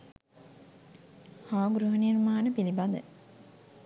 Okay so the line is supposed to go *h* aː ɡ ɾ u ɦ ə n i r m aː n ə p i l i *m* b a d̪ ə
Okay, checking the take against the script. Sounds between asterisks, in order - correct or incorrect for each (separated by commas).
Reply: correct, incorrect